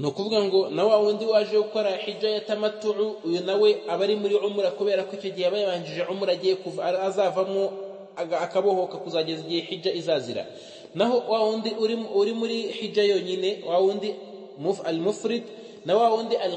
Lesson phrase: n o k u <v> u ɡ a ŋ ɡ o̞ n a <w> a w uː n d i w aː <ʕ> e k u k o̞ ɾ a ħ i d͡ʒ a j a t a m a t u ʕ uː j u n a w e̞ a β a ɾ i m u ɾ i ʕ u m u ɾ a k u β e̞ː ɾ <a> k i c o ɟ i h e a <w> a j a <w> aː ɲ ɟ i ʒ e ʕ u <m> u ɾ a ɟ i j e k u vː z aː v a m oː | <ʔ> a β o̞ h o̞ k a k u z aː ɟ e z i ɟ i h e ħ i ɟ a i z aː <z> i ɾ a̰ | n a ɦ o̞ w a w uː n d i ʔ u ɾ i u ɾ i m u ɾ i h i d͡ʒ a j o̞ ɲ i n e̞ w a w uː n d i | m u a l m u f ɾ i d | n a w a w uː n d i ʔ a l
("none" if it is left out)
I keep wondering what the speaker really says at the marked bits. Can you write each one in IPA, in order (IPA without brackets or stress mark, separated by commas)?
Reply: v, w, ʒ, a, β, β, m, k, z